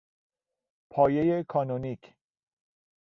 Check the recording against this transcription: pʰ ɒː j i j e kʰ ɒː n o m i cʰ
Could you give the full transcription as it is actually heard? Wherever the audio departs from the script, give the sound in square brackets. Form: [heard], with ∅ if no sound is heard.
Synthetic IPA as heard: pʰ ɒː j [e] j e kʰ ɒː n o [n] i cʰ